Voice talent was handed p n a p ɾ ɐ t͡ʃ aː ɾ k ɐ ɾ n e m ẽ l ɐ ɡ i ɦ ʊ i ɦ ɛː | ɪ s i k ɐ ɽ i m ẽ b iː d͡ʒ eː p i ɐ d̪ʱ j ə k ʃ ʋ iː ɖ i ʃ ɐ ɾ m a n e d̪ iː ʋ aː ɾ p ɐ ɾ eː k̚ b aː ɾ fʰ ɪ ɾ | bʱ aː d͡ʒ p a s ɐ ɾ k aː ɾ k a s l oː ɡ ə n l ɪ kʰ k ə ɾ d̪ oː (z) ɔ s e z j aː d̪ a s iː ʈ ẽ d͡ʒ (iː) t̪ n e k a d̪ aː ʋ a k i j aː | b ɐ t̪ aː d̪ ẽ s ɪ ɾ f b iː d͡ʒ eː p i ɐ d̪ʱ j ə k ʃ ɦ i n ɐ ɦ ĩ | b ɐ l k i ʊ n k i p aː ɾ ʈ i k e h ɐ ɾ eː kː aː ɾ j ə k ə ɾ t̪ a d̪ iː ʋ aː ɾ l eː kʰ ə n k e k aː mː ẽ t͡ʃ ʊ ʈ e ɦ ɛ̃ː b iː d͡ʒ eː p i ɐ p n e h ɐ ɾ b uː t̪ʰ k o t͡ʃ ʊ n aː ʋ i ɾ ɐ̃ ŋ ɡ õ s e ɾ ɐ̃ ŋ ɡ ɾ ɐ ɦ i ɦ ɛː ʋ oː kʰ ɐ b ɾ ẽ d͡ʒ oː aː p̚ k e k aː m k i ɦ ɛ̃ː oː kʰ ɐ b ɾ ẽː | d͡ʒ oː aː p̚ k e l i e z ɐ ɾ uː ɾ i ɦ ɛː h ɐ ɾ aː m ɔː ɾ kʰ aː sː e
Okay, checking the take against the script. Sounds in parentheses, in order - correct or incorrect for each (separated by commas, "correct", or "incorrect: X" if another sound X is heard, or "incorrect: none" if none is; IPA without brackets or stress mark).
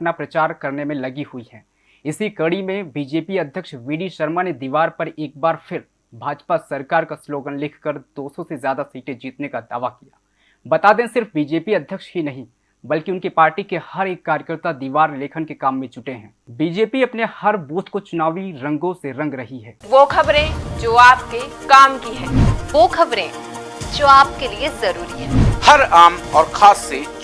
incorrect: s, correct